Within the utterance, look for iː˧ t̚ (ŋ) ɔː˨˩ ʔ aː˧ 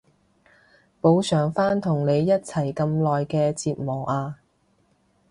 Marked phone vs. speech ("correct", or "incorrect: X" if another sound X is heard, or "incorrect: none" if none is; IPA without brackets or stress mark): incorrect: m